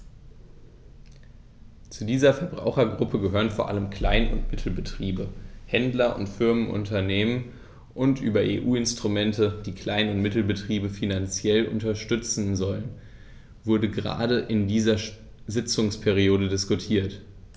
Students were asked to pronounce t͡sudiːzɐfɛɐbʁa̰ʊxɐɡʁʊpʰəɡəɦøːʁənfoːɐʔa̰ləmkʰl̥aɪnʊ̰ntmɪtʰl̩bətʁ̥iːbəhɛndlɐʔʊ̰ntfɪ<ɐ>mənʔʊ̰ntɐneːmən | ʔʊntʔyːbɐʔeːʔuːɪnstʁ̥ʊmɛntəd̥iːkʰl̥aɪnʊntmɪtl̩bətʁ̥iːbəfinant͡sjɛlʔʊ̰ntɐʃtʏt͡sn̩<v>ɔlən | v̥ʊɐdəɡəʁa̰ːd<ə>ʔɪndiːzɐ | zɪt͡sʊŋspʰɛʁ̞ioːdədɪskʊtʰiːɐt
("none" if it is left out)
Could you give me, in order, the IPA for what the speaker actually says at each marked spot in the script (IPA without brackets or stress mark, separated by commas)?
ɐ, z, ə